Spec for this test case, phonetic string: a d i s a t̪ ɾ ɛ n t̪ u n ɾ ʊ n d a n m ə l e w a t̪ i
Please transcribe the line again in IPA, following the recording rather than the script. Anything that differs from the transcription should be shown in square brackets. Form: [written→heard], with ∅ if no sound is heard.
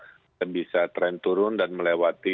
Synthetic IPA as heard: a [d→b] i s a t̪ ɾ ɛ n t̪ u [n→∅] ɾ ʊ n d a n m ə l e w a t̪ i